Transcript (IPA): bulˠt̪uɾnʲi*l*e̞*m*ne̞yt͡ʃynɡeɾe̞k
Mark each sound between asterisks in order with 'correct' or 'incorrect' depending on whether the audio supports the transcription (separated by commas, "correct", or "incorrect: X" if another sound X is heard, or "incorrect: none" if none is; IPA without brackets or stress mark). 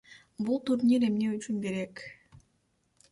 incorrect: ɾ, correct